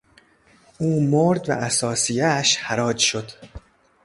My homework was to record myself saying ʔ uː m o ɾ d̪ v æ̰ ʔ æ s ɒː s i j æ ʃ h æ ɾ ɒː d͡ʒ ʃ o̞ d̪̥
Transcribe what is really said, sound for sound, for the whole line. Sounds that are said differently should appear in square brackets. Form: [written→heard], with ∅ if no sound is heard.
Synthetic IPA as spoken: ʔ uː m o ɾ d̪ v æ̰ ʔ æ s ɒː s i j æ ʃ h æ ɾ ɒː d͡ʒ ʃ o̞ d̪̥